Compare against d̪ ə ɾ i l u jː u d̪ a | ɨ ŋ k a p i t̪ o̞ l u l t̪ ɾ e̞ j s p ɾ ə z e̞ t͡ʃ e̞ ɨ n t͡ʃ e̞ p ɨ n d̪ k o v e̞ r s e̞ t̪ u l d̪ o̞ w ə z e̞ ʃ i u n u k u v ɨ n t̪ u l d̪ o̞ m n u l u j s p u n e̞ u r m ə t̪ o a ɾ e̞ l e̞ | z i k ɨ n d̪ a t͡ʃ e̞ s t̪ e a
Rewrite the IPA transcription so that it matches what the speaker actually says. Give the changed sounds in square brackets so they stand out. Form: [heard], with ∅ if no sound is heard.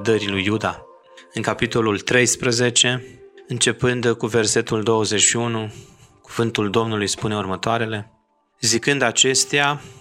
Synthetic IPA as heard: d̪ ə ɾ i l u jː u d̪ a | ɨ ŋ k a p i t̪ o̞ l u l t̪ ɾ e̞ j s p ɾ ə z e̞ t͡ʃ e̞ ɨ n t͡ʃ e̞ p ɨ n d̪ k [u] v e̞ r s e̞ t̪ u l d̪ o̞ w ə z e̞ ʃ i u n u k u v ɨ n t̪ u l d̪ o̞ m n u l u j s p u n e̞ u r m ə t̪ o a ɾ e̞ l e̞ | z i k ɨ n d̪ a t͡ʃ e̞ s t̪ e a